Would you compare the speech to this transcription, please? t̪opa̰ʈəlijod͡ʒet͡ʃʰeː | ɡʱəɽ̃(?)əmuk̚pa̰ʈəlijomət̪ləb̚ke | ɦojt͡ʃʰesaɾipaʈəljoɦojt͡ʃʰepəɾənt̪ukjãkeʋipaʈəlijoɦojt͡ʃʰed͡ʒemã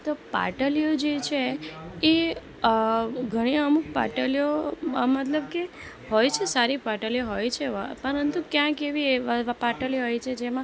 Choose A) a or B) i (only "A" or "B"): B